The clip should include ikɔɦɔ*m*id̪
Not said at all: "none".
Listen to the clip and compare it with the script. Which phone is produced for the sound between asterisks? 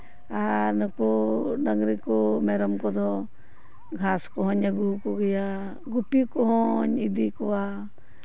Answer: ɲ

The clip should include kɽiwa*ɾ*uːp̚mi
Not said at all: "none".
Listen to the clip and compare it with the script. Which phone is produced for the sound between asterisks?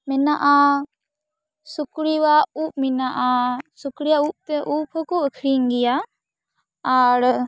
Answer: none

